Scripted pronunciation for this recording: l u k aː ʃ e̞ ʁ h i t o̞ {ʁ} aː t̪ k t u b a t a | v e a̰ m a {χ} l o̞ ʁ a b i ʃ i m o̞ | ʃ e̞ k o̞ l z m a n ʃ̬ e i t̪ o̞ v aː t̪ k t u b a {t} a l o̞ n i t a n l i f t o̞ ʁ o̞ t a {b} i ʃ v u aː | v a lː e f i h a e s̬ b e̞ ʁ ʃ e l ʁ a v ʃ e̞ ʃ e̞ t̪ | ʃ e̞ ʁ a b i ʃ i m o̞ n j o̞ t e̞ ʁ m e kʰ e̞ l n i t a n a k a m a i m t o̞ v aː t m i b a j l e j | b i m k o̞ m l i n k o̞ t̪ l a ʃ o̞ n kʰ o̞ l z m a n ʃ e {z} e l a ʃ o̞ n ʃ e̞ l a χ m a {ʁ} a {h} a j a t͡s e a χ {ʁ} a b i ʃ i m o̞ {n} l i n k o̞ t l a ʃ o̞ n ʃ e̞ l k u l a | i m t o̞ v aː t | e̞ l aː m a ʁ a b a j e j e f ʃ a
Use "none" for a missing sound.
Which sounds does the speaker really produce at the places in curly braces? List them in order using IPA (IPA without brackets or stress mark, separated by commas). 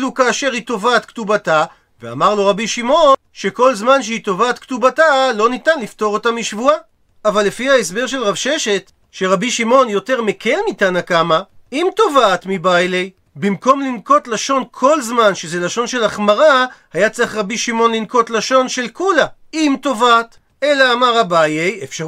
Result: v, ʁ, t, m, z, ʁ, h, ʁ, n